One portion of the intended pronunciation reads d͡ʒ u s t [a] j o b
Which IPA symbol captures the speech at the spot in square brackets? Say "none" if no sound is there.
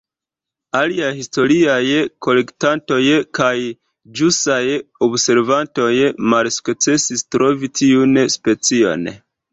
a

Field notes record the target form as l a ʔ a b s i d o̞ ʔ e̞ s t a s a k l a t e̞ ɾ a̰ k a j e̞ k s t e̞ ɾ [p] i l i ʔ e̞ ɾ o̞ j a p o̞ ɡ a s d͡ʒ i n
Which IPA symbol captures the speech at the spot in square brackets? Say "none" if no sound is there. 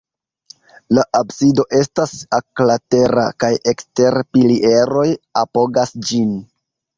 p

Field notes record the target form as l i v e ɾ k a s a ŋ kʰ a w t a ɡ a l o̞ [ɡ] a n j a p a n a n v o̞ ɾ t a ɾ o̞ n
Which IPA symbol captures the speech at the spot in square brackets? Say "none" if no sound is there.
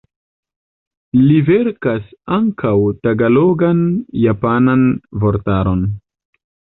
ɡ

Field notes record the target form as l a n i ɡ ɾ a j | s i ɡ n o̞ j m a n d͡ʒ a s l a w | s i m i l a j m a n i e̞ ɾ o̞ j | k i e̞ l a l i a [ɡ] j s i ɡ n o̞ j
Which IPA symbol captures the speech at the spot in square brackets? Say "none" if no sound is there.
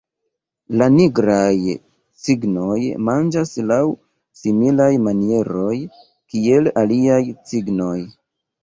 none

